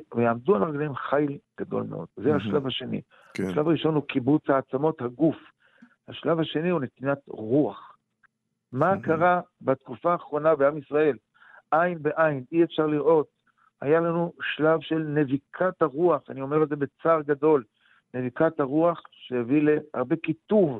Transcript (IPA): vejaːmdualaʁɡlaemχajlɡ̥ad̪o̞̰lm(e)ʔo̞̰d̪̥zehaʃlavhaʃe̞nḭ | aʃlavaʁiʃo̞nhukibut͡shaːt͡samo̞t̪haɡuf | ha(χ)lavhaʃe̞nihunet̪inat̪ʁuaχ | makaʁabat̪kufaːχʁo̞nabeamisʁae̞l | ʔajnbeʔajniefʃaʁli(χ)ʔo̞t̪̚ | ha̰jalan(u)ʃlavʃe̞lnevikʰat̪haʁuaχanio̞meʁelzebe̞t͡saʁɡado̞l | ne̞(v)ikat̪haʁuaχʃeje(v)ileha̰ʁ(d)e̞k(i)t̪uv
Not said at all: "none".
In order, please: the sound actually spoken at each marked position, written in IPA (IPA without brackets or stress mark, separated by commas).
e, ʃ, ʁ, u, v, v, b, i